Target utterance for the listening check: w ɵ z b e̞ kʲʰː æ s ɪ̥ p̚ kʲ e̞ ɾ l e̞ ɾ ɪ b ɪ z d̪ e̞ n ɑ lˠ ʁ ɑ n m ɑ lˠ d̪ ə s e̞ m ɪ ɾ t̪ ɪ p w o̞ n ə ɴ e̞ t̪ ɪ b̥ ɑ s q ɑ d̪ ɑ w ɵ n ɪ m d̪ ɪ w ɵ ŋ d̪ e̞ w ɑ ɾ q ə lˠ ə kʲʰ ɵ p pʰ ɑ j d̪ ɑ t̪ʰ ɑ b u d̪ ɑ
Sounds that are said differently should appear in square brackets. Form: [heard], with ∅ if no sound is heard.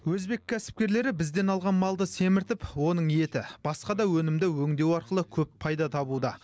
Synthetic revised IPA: w ɵ z b e̞ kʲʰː æ s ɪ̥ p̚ kʲ e̞ ɾ l e̞ ɾ ɪ b ɪ z d̪ e̞ n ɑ lˠ ʁ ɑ n m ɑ lˠ d̪ ə s e̞ m ɪ ɾ t̪ ɪ p w o̞ n ə ɴ e̞ t̪ ɪ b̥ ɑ s q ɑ d̪ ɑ w ɵ n ɪ m d̪ ɪ w ɵ ŋ d̪ e̞ w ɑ ɾ q ə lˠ ə kʲʰ ɵ p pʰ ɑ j d̪ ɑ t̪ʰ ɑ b u d̪ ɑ